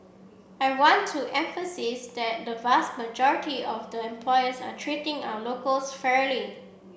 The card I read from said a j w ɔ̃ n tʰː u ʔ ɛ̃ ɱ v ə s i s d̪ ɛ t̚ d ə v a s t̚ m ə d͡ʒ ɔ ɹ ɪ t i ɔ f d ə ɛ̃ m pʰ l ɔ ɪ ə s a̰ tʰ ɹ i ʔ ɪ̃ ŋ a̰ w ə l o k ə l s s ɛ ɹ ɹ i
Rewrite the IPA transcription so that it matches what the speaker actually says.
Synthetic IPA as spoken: a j w ɔ̃ n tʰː u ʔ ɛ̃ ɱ f ə s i s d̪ ɛ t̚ d ə v a s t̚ m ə d͡ʒ ɔ ɹ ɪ t i ɔ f d ə ɛ̃ m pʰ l ɔ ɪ ə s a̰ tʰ ɹ i t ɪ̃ ŋ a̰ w ə l o k ə l s f ɛ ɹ l i